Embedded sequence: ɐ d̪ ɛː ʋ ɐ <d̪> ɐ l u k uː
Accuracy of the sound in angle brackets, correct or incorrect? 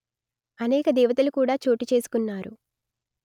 incorrect